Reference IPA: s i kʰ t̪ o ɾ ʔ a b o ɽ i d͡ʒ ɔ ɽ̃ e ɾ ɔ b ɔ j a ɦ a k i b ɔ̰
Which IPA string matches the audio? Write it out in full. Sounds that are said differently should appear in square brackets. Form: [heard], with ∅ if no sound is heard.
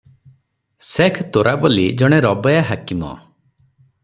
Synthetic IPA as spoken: s [e] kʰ t̪ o ɾ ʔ a b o [l] i d͡ʒ ɔ ɽ̃ e ɾ ɔ b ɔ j a ɦ a k i [m] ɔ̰